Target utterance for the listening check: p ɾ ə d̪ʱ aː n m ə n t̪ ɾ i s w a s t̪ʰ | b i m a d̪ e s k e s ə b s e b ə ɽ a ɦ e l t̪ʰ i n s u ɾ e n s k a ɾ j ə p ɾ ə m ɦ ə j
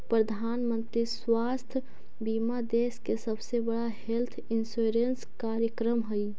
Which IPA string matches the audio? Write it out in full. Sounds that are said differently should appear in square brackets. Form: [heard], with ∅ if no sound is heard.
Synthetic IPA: p ɾ ə d̪ʱ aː n m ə n t̪ ɾ i s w a s t̪ʰ | b i m a d̪ e s k e s ə b s e b ə ɽ a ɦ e l t̪ʰ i n s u ɾ e n s k a ɾ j ə [k] ɾ ə m ɦ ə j